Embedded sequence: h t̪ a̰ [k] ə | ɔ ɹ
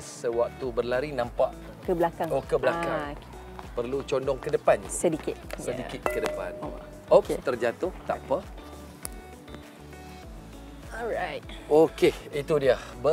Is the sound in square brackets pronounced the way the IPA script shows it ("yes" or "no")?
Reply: no